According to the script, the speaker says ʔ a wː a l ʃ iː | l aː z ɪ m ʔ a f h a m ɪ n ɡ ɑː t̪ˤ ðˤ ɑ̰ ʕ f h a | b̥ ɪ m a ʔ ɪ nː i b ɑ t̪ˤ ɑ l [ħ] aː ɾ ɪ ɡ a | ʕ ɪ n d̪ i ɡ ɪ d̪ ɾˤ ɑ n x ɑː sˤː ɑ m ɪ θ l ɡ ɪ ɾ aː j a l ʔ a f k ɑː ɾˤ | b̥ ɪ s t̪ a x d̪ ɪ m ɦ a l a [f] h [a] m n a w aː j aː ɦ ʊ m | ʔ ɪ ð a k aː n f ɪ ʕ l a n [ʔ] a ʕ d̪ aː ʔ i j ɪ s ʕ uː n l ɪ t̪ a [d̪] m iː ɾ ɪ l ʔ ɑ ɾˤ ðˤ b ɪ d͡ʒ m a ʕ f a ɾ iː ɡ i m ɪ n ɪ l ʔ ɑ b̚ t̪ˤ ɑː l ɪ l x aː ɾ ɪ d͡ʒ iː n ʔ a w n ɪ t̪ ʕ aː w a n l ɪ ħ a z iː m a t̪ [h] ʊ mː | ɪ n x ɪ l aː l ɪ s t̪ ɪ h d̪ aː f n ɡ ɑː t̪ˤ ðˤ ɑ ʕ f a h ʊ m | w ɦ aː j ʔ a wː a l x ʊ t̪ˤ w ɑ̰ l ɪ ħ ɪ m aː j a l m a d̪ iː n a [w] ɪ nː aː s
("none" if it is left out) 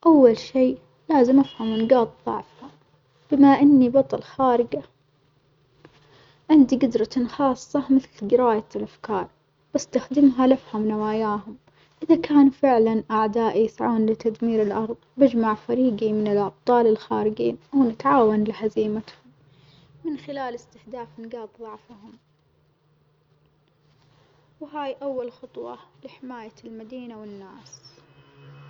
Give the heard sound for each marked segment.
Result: x, f, a, ʔ, d̪, h, w

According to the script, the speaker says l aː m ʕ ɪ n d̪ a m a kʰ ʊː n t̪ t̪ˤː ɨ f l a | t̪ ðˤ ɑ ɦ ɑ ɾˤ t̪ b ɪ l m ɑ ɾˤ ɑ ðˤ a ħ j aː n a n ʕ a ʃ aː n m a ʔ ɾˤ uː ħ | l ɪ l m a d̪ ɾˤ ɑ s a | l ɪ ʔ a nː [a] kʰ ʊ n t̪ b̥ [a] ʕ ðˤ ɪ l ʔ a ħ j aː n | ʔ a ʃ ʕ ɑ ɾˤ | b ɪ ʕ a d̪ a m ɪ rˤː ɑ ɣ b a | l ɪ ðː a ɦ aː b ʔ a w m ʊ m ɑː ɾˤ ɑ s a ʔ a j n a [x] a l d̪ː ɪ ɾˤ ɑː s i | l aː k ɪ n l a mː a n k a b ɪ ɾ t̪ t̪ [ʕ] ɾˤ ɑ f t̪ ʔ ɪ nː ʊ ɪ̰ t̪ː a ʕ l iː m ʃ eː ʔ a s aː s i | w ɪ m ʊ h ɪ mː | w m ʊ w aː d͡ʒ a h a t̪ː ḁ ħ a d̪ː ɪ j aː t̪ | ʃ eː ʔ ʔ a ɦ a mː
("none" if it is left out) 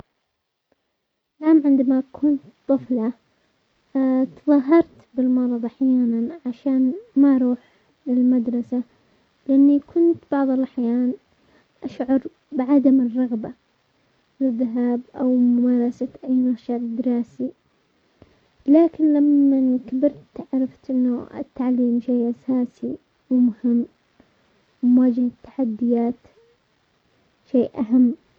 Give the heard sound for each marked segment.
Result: i, ɑ, ʃ, ʕ

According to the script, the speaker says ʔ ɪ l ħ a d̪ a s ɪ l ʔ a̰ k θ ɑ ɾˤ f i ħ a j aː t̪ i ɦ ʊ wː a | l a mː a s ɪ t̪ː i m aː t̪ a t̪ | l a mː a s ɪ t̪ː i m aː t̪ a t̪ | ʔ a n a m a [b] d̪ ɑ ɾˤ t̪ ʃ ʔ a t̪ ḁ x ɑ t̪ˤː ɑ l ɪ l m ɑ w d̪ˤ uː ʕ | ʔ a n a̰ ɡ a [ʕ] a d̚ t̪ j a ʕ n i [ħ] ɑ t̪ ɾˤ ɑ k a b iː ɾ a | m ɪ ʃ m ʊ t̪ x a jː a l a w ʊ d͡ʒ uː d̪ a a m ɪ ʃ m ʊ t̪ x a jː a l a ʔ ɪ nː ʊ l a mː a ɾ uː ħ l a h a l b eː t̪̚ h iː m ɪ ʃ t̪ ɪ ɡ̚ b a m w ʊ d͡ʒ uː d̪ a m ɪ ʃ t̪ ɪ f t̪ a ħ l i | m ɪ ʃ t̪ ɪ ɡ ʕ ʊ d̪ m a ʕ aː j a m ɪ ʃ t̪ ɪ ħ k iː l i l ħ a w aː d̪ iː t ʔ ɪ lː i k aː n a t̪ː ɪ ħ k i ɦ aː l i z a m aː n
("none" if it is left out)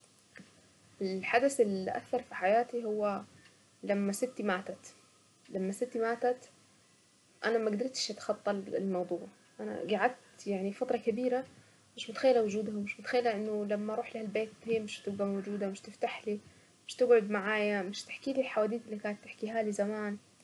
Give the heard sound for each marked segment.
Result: ɡ, ʕ, f

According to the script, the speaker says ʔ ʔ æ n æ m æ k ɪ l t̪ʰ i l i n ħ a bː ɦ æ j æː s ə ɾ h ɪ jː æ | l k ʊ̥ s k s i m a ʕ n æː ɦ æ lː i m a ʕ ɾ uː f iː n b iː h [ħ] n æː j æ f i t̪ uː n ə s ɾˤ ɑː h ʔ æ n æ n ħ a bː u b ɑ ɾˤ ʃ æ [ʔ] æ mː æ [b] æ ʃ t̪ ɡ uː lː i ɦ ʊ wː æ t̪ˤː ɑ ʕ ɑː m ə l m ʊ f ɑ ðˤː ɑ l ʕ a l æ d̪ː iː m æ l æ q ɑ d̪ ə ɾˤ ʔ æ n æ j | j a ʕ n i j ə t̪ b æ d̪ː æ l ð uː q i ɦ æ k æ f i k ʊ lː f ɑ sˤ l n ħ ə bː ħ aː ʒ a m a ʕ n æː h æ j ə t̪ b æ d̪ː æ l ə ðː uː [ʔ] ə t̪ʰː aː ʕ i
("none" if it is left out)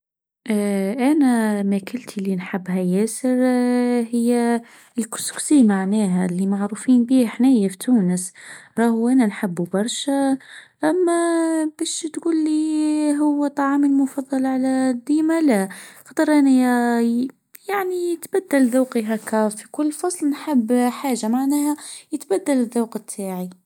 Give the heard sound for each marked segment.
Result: ħ, ʔ, b, q

